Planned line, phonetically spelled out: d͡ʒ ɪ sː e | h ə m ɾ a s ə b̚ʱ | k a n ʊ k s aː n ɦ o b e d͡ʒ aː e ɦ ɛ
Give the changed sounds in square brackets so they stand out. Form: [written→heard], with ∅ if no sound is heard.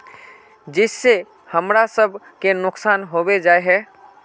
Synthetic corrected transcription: d͡ʒ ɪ sː e | h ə m ɾ a s ə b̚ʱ | k [a→e] n ʊ k s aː n ɦ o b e d͡ʒ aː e ɦ ɛ